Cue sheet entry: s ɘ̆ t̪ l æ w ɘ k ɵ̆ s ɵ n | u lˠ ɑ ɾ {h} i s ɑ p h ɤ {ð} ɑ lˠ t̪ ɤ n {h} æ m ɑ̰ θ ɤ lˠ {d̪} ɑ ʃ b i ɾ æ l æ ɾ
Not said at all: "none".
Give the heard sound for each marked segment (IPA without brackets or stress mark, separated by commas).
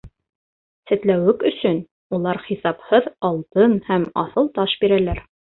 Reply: χ, ð, h, t̪